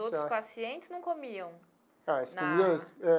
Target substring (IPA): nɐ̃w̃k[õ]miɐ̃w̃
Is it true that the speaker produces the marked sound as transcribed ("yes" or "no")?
no